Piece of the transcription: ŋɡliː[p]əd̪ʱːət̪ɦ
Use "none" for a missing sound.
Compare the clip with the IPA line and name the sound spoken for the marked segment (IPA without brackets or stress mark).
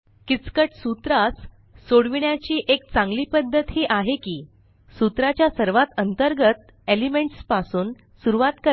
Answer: p